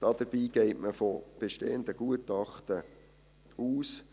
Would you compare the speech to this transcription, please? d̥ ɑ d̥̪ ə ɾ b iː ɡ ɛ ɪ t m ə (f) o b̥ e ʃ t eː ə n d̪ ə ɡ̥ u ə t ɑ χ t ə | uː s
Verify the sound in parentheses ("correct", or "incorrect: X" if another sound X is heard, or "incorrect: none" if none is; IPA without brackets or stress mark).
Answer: correct